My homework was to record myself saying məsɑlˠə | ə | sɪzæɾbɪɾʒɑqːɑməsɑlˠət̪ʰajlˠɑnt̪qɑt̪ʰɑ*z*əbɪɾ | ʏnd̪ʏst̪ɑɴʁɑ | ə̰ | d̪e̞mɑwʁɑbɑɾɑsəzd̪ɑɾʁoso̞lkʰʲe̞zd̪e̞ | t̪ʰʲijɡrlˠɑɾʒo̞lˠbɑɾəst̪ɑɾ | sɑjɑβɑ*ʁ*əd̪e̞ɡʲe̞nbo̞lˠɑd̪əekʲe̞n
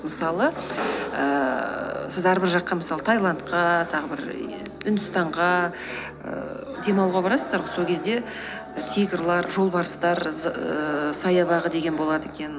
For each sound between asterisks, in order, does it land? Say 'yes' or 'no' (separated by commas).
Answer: no, yes